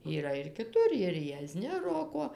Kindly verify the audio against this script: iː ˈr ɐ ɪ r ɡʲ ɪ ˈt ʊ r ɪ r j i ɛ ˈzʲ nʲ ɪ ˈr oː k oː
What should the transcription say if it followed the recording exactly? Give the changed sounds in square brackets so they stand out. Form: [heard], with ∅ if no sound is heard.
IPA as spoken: iː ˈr ɐ ɪ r [kʲ] ɪ ˈt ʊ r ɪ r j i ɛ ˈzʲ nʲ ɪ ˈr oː k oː